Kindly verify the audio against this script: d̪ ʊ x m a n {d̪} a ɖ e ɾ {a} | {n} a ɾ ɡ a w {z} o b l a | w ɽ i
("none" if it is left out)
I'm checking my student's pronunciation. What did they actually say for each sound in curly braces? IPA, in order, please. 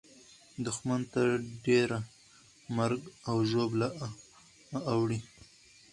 t̪, a, m, ʒ

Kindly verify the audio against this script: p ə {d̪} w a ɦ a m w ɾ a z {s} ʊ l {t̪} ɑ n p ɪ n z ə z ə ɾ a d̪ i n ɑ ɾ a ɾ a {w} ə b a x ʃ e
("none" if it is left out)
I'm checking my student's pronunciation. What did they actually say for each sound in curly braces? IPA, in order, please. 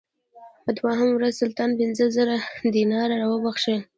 d̪, s, t̪, w

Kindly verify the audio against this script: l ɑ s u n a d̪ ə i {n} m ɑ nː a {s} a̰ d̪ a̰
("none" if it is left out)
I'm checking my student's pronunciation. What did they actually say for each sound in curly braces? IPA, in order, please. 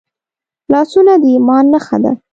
none, x

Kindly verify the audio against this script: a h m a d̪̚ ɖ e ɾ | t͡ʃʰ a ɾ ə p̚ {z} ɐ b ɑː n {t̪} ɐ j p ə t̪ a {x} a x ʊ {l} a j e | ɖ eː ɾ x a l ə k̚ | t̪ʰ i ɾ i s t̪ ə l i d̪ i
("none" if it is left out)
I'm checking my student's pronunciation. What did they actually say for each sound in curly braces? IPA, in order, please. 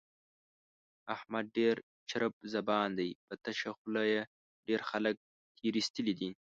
z, d̪, ʃ, l

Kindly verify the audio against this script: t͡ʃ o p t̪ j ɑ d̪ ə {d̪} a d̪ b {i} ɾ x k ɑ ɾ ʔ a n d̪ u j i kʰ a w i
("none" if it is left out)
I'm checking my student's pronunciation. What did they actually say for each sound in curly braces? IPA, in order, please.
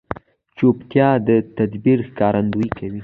t̪, i

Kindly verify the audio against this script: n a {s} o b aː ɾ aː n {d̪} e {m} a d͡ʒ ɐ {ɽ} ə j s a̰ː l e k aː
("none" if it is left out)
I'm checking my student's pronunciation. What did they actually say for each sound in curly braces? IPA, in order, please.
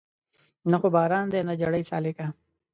x, d̪, n, ɽ

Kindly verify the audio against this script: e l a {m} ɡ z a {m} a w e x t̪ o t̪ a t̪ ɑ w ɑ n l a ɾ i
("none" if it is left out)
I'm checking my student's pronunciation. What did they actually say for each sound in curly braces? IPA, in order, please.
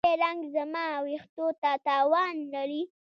ŋ, m

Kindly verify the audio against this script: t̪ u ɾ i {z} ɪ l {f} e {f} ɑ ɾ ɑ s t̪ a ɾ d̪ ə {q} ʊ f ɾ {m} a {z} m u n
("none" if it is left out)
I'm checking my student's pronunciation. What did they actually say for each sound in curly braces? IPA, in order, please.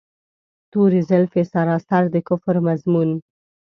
z, f, s, k, m, z

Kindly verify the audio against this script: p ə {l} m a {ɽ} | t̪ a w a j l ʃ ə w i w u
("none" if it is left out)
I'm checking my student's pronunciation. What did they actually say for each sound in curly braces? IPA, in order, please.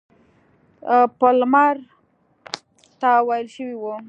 l, ɾ

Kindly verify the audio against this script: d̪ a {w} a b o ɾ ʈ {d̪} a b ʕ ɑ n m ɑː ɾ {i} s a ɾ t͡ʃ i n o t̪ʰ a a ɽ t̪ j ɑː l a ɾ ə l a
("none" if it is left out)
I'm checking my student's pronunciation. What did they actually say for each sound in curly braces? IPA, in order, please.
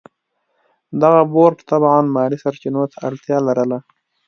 ɣ, t̪, i

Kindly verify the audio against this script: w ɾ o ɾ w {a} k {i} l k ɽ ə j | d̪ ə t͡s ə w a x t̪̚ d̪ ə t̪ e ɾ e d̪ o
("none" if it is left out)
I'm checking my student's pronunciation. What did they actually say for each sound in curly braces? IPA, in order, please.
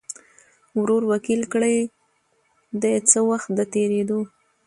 a, i

